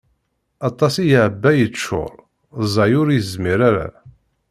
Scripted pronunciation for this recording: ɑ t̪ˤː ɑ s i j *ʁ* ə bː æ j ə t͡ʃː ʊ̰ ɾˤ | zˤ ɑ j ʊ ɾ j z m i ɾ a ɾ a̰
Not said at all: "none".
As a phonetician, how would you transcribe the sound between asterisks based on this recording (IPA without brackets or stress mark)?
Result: ʕ